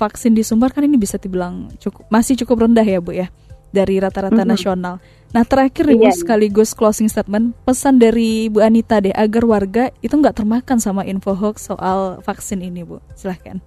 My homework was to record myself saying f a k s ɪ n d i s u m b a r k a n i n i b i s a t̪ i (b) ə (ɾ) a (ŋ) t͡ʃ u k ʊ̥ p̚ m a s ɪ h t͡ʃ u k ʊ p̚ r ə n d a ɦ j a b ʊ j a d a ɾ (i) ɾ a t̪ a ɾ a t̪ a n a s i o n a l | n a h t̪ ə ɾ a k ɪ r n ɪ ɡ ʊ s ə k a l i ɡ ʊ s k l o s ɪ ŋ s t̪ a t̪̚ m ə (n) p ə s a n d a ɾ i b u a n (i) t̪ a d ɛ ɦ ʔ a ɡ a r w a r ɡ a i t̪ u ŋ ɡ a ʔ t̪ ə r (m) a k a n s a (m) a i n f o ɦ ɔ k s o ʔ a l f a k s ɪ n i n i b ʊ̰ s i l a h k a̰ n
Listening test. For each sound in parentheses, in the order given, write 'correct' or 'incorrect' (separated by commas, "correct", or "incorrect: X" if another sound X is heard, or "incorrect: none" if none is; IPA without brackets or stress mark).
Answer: correct, incorrect: l, correct, correct, correct, correct, correct, correct